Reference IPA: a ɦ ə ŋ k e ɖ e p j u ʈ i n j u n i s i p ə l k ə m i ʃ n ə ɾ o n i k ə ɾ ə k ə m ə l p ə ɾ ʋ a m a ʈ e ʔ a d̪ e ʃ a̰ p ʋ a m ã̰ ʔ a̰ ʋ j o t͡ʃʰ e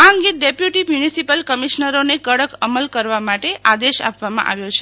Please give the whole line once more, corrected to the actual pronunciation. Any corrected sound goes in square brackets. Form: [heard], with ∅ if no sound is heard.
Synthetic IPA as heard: a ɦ ə ŋ [ɡ] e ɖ e p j u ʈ i [m] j u n i s i p ə l k ə m i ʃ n ə ɾ o n [e] k ə [ɽ] ə k ə m ə l [k] ə ɾ ʋ a m a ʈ e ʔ a d̪ e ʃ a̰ p ʋ a m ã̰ ʔ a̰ ʋ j o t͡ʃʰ e